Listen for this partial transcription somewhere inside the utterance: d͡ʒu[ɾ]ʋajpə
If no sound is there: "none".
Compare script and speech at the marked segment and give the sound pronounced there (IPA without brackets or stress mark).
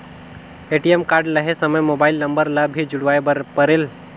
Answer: ɽ